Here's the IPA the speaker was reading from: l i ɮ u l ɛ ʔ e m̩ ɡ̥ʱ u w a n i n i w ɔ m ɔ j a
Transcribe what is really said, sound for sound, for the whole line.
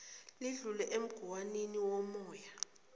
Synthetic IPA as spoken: l i ɮ u l ɛ ʔ e m̩ ɡ̥ʱ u w a n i n i w ɔ m ɔː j a